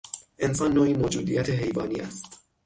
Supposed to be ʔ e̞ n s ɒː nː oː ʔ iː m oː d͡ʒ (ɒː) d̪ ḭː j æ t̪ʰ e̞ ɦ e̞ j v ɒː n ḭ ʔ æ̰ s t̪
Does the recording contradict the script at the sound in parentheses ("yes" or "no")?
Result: yes